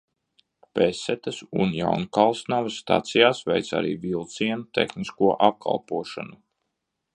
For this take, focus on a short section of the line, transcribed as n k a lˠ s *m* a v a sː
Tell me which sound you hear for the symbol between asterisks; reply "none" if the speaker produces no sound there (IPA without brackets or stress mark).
n